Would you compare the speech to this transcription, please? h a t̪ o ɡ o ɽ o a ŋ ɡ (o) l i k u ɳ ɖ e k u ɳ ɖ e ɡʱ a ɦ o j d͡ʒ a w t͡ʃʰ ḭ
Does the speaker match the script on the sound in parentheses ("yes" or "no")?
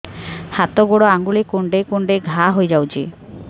no